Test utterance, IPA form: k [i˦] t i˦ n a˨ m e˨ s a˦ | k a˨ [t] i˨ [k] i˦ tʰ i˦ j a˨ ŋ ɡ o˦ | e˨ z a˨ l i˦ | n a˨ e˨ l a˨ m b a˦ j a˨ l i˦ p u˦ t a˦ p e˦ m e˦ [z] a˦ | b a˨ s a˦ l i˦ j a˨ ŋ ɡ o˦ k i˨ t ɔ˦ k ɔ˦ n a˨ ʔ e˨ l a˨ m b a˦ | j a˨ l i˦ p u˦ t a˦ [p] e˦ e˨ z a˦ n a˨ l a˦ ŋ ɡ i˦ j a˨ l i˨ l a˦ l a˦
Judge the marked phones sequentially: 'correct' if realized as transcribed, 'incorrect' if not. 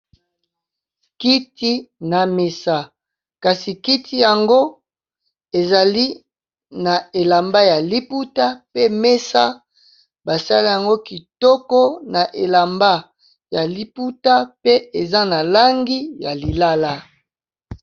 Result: correct, incorrect, correct, incorrect, correct

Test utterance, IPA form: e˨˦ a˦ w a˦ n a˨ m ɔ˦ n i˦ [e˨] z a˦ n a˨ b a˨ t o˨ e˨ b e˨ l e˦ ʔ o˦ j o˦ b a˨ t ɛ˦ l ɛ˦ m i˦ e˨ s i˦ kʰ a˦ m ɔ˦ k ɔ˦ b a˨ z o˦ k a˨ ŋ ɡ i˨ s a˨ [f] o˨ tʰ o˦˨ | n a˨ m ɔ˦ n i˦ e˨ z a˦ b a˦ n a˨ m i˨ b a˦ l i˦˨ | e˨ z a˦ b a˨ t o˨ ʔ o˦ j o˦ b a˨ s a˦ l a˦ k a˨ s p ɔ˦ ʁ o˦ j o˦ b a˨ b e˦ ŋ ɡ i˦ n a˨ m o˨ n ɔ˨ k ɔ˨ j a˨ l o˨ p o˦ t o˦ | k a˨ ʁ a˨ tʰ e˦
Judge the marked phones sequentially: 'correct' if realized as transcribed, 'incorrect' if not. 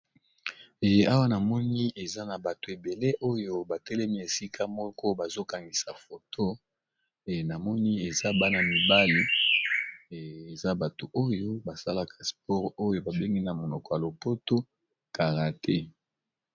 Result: correct, correct

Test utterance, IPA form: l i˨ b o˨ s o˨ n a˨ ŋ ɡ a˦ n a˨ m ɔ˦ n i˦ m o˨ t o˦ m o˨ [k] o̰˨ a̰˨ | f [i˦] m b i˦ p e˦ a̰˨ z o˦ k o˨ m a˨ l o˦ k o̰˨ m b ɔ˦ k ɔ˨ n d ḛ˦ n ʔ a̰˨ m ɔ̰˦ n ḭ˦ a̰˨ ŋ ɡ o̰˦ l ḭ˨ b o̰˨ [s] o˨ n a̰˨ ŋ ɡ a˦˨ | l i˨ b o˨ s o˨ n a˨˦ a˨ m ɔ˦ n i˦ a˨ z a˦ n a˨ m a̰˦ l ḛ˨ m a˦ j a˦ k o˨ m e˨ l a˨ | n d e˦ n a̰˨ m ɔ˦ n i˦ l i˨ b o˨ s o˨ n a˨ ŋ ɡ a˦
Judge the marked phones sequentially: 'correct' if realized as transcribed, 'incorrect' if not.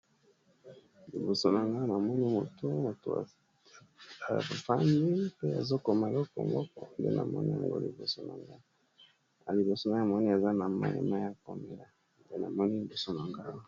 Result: incorrect, incorrect, correct

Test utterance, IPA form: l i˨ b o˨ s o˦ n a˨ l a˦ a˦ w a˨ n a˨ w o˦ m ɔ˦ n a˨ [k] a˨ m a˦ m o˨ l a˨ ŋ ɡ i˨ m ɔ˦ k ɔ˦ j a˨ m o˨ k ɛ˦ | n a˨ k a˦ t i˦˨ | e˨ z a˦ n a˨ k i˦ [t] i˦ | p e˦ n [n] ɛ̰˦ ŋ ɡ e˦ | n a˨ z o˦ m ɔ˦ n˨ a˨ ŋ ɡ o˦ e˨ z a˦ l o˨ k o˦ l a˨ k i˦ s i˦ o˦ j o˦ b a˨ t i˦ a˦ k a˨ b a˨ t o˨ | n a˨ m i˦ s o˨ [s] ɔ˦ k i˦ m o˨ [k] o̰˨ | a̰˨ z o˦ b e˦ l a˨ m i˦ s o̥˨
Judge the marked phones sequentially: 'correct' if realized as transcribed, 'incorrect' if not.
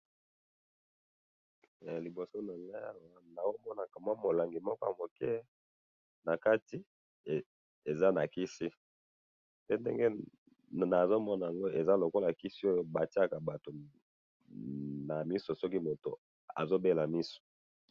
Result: correct, incorrect, incorrect, correct, incorrect

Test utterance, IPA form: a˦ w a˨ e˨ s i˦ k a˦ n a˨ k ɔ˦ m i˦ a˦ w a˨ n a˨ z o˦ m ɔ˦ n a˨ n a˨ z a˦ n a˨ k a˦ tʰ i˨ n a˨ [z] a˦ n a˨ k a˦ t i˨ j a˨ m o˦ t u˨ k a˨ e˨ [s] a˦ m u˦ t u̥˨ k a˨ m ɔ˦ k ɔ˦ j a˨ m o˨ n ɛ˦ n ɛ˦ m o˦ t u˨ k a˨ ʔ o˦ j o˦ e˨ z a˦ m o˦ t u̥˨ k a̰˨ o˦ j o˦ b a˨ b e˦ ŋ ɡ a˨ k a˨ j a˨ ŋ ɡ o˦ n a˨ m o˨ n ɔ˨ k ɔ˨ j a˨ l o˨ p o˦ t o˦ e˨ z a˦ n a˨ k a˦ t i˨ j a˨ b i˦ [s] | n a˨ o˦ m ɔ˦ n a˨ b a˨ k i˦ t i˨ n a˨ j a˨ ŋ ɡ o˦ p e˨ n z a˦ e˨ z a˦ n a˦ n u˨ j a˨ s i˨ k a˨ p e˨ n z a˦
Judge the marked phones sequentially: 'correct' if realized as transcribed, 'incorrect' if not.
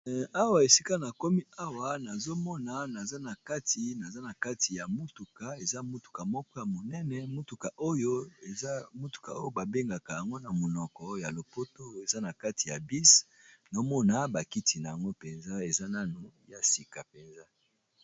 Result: correct, incorrect, correct

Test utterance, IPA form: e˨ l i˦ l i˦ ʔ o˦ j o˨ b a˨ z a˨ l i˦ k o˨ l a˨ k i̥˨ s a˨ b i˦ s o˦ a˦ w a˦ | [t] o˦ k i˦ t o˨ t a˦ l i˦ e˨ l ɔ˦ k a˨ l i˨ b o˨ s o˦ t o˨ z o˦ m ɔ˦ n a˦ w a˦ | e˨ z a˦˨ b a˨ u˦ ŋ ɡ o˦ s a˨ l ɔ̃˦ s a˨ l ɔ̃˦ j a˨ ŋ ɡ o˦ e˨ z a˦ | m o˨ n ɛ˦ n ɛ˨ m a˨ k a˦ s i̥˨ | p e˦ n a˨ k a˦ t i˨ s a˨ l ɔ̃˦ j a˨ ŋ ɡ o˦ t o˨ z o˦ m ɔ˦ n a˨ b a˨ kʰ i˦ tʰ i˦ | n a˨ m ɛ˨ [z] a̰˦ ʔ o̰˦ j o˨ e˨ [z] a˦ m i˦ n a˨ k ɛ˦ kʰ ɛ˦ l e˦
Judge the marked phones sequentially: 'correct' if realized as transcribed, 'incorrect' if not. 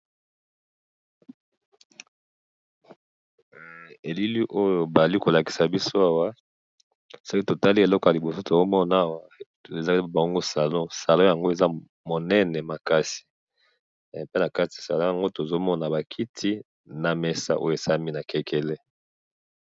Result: incorrect, incorrect, incorrect

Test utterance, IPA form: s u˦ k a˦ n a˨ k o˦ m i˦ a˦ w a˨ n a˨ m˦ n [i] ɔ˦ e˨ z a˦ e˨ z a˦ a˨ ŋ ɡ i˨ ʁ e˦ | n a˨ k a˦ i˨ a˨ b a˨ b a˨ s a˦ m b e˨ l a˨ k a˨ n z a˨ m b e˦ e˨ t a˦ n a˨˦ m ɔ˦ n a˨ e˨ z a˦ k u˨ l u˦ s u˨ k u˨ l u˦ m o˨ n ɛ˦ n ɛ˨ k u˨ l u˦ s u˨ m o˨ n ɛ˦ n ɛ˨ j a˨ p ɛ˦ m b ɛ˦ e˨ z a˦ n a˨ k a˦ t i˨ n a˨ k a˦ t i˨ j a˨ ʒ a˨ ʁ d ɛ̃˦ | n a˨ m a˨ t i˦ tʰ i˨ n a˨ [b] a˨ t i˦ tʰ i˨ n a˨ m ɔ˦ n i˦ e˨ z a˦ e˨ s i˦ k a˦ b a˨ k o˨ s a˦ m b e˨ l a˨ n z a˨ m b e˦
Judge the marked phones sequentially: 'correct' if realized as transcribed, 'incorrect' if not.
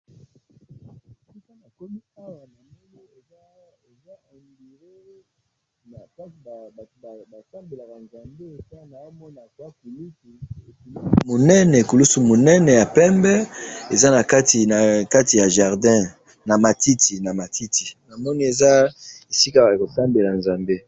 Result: correct, incorrect

